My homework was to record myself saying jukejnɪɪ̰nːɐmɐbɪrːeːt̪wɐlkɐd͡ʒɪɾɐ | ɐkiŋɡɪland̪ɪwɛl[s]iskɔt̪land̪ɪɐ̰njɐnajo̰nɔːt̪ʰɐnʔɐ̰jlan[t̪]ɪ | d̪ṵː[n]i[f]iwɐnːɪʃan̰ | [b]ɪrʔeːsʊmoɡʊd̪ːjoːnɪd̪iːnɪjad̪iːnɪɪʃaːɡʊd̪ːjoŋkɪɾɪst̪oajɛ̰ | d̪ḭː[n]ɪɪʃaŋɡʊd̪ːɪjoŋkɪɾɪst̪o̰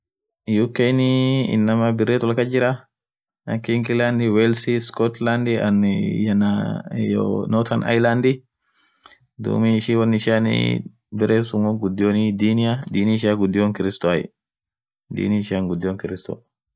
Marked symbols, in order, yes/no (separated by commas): yes, no, no, no, yes, yes